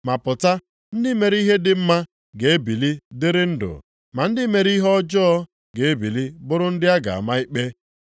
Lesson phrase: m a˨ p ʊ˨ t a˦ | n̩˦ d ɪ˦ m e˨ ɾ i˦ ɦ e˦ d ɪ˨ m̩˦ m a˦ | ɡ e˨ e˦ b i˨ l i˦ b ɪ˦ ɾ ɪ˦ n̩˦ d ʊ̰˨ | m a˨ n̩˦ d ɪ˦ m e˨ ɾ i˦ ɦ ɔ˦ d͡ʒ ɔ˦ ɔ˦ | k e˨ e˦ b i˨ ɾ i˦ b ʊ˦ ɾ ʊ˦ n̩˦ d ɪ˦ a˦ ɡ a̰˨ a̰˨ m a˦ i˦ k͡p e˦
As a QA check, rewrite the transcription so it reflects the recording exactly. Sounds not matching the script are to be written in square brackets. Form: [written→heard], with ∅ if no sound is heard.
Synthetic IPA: m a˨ p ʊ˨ t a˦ | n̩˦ d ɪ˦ m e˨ ɾ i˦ ɦ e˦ d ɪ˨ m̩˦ m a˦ | ɡ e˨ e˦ b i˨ l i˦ [b→d] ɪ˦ ɾ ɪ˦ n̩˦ d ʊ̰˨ | m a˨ n̩˦ d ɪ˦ m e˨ ɾ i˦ ɦ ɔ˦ d͡ʒ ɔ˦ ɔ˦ | [k→ɡ] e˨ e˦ b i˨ [ɾ→l] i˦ b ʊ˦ ɾ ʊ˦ n̩˦ d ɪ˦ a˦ ɡ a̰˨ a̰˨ m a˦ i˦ k͡p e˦